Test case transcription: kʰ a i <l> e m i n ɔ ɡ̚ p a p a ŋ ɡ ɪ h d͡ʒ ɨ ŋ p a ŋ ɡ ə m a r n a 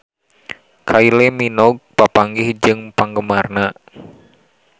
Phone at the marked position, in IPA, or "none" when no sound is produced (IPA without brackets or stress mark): l